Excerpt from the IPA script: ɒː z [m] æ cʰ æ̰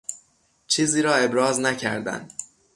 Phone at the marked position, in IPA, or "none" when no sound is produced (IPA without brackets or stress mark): n